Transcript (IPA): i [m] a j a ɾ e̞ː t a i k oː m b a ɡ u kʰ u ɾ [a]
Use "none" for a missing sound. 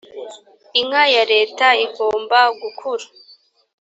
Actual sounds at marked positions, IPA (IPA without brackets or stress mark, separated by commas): ŋ, a